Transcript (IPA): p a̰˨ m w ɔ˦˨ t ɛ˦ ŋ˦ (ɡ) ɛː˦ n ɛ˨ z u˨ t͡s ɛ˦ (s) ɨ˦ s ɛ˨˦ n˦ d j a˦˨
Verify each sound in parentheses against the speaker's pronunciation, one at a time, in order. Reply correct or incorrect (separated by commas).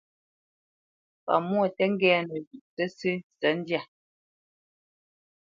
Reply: correct, correct